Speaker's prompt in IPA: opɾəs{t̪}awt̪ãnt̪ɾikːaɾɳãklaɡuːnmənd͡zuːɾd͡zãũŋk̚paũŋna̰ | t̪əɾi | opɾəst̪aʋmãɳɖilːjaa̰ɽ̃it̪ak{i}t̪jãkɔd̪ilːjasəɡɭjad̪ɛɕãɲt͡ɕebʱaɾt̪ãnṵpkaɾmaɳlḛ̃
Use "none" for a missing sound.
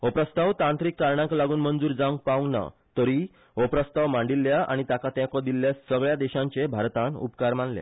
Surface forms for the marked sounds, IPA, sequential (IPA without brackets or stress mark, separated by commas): t̪, a